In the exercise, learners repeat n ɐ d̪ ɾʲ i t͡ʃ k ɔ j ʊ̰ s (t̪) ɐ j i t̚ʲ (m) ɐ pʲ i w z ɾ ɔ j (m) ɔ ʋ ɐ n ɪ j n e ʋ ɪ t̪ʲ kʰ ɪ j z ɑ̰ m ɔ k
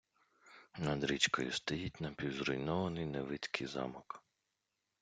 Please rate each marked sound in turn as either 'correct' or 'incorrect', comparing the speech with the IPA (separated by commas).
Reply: correct, incorrect, incorrect